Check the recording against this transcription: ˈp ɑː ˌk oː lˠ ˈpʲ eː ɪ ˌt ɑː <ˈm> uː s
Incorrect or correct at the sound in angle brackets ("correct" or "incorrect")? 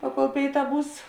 incorrect